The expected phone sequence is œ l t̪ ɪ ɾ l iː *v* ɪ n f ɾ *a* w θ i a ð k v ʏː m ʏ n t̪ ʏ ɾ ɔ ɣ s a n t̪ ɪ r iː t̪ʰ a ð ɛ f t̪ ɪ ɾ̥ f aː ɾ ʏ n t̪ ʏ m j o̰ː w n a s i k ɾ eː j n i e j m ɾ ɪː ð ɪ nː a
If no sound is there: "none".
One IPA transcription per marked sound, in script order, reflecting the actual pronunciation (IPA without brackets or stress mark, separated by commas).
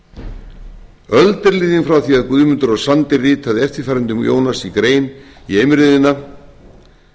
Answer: ð, a